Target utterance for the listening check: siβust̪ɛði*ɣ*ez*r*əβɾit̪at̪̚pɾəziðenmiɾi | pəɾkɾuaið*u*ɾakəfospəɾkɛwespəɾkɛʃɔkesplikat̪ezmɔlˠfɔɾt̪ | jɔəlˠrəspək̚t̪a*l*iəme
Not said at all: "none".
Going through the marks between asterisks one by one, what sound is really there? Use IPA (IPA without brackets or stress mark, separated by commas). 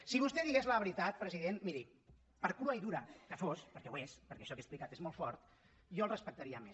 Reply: ɣ, l, u, ɾ